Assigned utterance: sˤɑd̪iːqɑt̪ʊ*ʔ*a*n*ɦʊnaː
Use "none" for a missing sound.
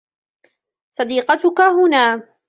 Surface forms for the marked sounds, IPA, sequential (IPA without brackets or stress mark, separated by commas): k, none